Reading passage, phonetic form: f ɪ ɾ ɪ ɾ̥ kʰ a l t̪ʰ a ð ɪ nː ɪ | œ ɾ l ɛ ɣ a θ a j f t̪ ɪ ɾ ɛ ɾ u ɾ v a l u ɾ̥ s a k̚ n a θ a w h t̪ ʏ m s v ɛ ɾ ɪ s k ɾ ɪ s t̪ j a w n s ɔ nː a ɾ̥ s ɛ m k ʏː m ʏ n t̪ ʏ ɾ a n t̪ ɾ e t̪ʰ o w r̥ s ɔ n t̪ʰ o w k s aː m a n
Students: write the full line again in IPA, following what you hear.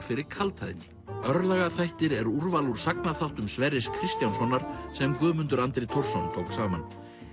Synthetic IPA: f ɪ ɾ ɪ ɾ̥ kʰ a l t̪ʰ a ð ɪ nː ɪ | œ ɾ l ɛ ɣ a θ a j h t̪ ɪ ɾ ɛ ɾ u ɾ v a l u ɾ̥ s a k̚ n a θ a w h t̪ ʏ m s v ɛ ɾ ɪ s kʰ ɾ ɪ s t̪ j a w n s ɔ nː a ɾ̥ s ɛ m k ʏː m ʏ n t̪ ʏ ɾ a n t̪ ɾ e t̪ʰ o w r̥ s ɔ n t̪ʰ o w k s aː m a n